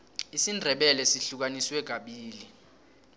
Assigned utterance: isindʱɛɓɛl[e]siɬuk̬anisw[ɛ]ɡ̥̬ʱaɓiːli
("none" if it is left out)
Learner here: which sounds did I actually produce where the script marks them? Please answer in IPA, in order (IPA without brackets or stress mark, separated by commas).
ɛ, ɛ